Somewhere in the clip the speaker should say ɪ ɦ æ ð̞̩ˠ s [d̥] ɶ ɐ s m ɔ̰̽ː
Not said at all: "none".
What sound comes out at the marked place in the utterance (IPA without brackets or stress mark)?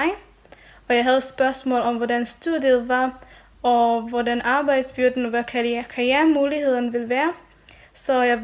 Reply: b̥